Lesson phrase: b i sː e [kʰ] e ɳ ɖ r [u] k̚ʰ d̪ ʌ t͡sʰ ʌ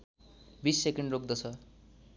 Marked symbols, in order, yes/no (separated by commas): no, no